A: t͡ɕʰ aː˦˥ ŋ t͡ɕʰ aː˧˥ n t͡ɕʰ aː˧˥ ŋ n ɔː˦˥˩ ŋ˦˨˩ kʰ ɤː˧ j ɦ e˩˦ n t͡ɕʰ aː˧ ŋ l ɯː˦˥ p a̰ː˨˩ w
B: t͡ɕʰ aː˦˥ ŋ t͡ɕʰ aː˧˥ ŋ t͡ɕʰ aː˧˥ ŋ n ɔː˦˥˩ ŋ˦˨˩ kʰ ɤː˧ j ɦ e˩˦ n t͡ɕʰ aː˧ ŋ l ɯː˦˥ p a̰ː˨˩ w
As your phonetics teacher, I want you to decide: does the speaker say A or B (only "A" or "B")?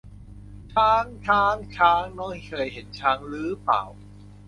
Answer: B